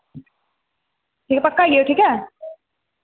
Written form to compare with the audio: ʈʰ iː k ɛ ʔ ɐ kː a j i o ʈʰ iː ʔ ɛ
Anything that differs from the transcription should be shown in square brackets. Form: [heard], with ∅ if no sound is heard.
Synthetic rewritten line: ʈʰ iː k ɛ [p] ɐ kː a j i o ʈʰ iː [k] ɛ